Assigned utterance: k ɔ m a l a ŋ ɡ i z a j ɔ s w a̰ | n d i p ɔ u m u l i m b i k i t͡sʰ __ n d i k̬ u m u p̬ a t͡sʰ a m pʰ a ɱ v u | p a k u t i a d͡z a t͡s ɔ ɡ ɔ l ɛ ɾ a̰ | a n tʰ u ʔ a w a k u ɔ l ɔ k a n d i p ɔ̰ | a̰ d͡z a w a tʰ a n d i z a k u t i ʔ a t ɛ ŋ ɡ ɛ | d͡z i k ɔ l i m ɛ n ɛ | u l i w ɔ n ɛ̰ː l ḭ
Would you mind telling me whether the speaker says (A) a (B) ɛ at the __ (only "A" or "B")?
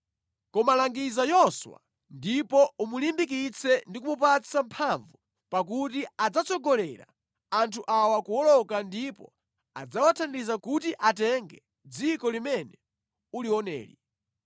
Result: B